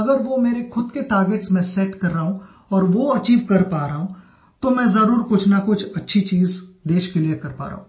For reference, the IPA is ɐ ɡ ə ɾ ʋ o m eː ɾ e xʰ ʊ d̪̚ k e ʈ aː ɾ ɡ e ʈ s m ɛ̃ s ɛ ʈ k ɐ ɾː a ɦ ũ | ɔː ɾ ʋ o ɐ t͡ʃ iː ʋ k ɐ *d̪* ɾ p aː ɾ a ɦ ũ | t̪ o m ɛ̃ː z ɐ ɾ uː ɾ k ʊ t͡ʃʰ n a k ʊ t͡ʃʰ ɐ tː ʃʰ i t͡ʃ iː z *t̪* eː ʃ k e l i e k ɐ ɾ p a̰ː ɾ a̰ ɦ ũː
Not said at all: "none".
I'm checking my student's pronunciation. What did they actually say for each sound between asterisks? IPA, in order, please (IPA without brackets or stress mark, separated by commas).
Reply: none, d̪